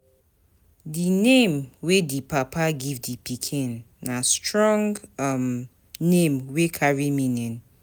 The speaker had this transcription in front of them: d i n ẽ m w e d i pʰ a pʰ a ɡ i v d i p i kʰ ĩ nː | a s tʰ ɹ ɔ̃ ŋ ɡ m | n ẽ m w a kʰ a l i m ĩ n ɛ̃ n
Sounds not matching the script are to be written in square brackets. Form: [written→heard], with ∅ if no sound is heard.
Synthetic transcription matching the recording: d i n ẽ m w e d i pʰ a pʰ a ɡ i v d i p i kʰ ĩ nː | a s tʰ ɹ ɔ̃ ŋ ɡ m | n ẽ m w [a→e] kʰ a [l→ɹ] i m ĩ n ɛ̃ n